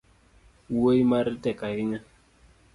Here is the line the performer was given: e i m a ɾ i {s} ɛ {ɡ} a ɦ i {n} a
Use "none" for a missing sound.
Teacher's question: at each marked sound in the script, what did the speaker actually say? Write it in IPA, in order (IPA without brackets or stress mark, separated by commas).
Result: t, k, ɲ